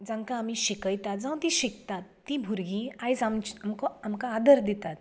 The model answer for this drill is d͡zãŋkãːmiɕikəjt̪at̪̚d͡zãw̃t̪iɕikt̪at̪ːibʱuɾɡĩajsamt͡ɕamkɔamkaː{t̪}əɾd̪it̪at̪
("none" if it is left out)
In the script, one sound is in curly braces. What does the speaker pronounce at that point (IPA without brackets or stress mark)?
d̪